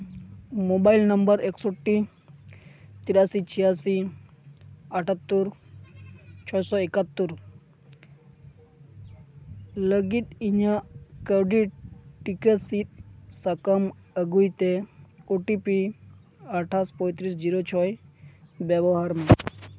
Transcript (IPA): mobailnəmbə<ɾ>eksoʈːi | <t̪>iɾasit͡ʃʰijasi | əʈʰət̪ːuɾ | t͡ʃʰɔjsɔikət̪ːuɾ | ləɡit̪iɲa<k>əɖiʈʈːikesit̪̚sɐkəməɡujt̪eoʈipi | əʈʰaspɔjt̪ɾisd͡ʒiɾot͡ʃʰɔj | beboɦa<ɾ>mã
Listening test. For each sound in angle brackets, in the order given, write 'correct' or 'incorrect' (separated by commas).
correct, correct, correct, correct